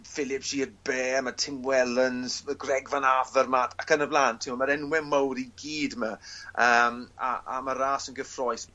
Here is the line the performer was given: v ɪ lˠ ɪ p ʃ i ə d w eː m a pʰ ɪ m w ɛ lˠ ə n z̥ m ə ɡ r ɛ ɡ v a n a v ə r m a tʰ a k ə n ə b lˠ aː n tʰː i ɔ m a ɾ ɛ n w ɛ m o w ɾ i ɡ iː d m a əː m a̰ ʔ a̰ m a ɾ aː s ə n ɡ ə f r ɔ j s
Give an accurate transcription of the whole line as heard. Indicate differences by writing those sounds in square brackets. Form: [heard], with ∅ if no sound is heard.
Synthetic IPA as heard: [f] ɪ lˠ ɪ p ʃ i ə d [b] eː m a [tʰ] ɪ m w ɛ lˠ ə n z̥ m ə ɡ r ɛ ɡ v a n a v ə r m a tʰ a k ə n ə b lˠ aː n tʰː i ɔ m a ɾ ɛ n w ɛ m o w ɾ i ɡ iː d m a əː m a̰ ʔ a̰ m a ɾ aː s ə n ɡ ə f r ɔ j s